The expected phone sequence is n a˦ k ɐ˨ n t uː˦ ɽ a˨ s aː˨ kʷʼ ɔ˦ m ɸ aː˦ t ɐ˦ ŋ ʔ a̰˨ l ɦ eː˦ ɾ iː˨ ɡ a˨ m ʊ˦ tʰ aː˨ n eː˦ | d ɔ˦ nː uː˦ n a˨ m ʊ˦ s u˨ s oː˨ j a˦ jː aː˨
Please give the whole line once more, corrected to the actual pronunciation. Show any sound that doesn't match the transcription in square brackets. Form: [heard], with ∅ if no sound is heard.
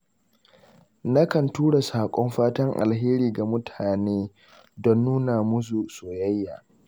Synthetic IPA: n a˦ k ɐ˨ n t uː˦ ɽ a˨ s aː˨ kʷʼ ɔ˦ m ɸ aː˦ t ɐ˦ ŋ ʔ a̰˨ l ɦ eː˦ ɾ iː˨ ɡ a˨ m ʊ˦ tʰ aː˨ n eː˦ | d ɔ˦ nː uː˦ n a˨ m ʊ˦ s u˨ s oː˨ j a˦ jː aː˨